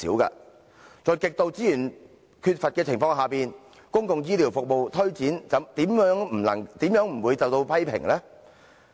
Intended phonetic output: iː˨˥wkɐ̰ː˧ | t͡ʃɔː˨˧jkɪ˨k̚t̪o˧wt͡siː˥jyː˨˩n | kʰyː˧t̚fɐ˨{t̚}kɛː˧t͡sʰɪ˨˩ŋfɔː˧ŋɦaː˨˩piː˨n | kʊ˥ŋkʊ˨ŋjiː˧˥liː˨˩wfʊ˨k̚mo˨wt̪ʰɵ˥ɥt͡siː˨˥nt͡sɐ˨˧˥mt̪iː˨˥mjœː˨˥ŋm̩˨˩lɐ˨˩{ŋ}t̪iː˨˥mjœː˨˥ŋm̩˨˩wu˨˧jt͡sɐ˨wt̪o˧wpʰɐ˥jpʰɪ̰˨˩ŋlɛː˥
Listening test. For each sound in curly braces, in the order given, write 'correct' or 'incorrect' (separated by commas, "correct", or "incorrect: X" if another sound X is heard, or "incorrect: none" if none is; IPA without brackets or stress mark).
correct, correct